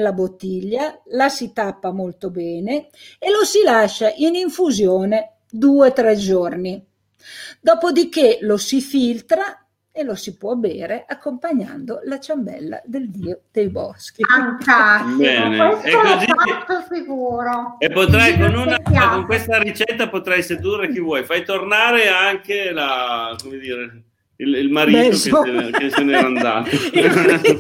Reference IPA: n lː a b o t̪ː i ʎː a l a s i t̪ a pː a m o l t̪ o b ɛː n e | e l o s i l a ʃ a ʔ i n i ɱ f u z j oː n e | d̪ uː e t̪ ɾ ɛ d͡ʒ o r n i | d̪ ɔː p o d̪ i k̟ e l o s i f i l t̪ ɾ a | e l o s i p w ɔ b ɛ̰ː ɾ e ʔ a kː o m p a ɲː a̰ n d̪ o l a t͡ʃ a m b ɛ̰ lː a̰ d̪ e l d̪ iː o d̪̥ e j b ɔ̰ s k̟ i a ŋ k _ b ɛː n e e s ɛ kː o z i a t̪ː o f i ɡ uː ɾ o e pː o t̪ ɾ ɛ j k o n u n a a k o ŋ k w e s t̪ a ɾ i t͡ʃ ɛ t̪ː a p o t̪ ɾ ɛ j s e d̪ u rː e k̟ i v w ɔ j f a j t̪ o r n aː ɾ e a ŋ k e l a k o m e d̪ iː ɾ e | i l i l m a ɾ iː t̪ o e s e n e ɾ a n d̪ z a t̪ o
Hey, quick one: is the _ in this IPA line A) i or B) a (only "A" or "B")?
B